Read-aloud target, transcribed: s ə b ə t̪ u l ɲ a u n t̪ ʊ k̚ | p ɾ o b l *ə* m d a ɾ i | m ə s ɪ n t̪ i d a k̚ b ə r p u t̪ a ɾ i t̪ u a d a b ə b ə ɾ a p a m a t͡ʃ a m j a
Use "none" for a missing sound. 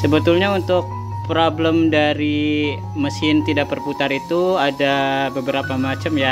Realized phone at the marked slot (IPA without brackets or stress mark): ə